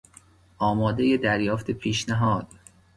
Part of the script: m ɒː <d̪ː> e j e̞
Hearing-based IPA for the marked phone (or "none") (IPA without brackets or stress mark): d̪